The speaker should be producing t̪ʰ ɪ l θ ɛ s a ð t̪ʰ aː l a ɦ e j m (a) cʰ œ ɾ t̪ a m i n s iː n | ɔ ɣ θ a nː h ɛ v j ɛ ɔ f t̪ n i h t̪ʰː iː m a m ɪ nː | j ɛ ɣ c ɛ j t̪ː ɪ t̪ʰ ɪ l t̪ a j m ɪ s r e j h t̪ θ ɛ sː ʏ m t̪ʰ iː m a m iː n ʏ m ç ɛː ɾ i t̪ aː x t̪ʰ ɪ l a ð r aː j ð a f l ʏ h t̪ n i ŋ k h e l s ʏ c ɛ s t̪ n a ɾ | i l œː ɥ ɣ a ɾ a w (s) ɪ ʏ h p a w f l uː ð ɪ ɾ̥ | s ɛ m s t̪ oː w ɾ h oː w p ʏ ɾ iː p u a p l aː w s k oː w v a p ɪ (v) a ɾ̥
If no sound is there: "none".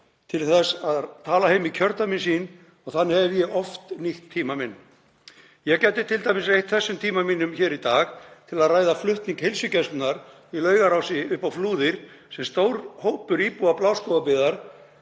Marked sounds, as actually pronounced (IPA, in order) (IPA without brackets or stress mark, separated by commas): i, s, ð